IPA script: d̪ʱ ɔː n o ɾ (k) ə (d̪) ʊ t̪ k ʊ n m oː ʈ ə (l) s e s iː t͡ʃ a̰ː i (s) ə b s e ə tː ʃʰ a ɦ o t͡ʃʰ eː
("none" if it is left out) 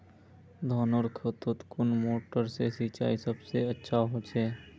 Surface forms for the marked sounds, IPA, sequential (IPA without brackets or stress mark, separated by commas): kʰ, t̪, ɾ, s